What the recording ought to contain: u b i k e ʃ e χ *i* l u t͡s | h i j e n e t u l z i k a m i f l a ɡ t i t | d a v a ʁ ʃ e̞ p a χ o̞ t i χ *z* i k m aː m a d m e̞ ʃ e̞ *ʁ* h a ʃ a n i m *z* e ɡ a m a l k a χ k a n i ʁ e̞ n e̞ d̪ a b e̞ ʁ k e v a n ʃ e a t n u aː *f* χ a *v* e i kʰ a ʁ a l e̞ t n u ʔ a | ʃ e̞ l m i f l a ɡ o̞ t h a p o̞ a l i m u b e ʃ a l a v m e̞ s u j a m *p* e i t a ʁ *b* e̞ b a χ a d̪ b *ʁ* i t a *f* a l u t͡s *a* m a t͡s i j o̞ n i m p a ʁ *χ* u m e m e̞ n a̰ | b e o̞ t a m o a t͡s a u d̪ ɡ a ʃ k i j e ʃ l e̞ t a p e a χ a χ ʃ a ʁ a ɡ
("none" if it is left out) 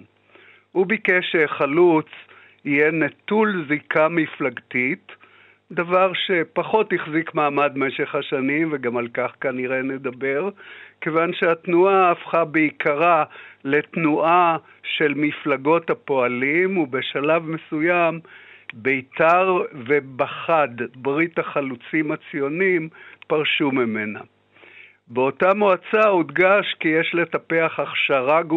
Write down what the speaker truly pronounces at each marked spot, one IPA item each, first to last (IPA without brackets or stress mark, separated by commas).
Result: a, z, χ, v, f, b, b, v, ʁ, χ, i, ʃ